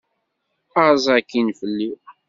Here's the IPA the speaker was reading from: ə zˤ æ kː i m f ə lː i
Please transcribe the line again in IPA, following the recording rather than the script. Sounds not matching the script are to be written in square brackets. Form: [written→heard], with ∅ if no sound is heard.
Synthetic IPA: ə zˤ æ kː i [m→n] f ə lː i